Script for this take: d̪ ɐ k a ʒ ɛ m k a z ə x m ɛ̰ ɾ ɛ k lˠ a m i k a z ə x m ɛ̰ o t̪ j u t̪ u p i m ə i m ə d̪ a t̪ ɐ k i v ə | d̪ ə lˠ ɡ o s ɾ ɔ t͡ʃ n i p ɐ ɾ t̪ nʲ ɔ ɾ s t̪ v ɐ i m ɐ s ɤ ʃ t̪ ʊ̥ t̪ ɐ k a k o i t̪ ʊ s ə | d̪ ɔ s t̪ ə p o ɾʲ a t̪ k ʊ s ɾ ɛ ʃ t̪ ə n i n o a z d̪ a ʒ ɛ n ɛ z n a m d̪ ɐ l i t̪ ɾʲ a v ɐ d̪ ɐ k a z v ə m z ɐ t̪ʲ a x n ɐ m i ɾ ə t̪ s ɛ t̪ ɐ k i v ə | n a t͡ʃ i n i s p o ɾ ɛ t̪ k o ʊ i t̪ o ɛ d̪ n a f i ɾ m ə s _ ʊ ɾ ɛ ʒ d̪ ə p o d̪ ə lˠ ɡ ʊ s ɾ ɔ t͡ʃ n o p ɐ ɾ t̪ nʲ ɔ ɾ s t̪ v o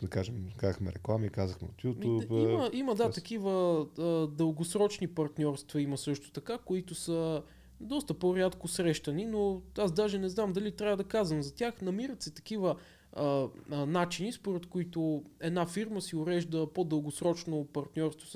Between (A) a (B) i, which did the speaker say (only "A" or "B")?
B